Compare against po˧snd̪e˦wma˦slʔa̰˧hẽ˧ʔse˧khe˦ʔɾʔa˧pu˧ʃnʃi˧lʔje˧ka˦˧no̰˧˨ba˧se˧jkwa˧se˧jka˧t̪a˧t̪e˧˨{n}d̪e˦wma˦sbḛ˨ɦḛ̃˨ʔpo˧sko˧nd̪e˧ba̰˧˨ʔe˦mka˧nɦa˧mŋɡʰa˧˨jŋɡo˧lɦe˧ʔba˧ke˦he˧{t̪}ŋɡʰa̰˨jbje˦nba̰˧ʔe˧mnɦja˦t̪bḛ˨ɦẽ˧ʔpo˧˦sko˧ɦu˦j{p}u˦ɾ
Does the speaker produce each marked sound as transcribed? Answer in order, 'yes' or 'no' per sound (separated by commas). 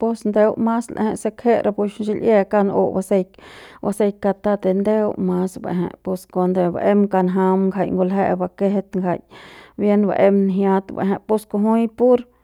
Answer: yes, yes, yes